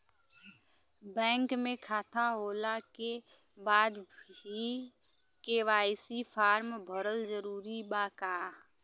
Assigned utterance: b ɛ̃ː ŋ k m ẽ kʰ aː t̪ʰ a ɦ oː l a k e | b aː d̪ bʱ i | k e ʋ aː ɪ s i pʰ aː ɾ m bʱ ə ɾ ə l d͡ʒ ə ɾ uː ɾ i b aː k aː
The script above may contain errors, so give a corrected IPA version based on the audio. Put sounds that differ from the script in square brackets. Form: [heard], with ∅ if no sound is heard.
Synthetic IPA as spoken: b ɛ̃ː ŋ k m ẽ kʰ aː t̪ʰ a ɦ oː l a k e | b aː d̪ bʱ i | k e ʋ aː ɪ s i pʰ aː ɾ m bʱ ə ɾ ə l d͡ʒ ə ɾ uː ɾ i b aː k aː